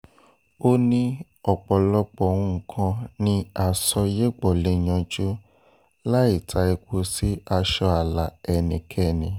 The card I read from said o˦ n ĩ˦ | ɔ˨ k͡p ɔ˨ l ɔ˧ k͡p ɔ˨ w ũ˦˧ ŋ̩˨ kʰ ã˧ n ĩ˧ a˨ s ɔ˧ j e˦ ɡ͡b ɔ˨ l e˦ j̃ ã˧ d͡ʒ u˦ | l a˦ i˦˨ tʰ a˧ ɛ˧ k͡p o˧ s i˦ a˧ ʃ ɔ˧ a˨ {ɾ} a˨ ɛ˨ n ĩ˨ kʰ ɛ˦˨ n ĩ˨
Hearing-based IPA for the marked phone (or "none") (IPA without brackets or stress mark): l